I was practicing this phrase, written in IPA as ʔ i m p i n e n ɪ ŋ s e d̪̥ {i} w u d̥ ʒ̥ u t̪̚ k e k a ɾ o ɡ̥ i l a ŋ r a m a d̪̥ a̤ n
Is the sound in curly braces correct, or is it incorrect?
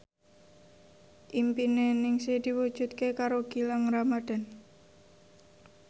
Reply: correct